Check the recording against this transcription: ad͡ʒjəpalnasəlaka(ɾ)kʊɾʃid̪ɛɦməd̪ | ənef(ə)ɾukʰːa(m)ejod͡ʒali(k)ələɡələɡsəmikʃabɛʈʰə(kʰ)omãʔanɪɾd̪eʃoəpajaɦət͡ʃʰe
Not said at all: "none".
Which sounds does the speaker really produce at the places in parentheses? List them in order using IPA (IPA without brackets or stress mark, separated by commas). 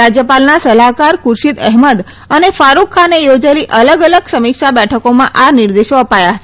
ɾ, a, n, ʔ, k